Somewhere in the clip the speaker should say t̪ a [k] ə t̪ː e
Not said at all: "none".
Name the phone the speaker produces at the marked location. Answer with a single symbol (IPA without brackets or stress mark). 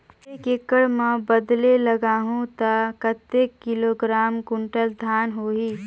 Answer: k